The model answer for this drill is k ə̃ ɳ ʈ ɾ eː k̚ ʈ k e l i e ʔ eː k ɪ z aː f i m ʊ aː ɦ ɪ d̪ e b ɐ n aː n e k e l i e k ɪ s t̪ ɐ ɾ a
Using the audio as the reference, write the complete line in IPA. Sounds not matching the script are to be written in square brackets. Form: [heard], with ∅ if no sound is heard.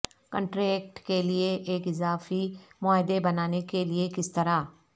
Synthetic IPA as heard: k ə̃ ɳ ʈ ɾ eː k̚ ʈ k e l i e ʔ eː k ɪ z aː f i m ʊ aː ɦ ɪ d̪ e b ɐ n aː n e k e l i e k ɪ s t̪ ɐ ɾ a